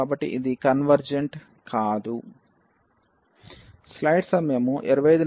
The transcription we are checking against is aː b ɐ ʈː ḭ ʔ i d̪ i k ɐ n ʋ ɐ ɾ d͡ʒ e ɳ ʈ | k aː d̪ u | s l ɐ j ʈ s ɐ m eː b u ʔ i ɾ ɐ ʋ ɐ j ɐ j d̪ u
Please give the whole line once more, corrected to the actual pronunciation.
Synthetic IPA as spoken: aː b ɐ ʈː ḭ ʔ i d̪ i k ɐ n ʋ ɐ ɾ d͡ʒ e ɳ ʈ | k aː d̪ u | s l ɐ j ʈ s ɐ m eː m u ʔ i ɾ ɐ ʋ ɐ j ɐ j d̪ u